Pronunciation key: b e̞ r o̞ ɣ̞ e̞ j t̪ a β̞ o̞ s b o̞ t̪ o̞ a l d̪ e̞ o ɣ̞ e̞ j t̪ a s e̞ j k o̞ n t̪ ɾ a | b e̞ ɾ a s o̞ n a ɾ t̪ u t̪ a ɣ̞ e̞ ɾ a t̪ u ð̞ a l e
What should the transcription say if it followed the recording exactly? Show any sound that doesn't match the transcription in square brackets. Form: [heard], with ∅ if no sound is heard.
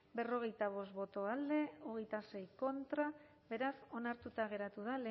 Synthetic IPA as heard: b e̞ r o̞ ɣ̞ e̞ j t̪ a β̞ o̞ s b o̞ t̪ o̞ a l d̪ e̞ o ɣ̞ e̞ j t̪ a s e̞ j k o̞ n t̪ ɾ a | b e̞ ɾ a s o̞ n a ɾ t̪ u t̪ a ɣ̞ e̞ ɾ a t̪ u ð̞ a l e